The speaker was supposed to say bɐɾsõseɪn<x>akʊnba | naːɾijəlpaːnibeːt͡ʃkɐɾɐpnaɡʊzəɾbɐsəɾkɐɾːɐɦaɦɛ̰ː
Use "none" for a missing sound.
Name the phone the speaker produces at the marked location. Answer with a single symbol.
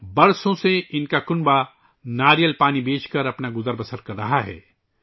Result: k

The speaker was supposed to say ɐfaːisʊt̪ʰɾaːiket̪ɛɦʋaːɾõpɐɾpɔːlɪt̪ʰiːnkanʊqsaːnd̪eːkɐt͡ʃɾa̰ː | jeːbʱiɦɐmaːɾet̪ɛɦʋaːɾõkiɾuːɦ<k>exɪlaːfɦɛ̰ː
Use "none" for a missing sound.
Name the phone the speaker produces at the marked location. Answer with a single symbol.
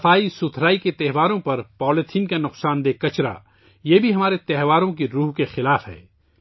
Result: k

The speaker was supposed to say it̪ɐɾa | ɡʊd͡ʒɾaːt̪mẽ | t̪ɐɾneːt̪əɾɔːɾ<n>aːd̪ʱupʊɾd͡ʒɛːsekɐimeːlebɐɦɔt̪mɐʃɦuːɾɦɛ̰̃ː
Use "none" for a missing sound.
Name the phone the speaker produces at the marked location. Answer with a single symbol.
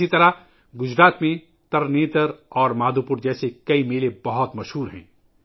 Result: m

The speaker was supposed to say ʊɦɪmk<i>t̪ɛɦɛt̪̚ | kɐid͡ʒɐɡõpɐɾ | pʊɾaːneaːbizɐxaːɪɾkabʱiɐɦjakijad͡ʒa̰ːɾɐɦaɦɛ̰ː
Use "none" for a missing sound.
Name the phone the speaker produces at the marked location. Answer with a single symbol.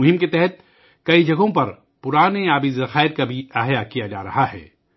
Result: e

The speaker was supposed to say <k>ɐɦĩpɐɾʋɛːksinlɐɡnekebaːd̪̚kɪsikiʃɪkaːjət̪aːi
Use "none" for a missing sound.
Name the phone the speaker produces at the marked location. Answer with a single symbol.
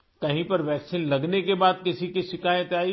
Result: k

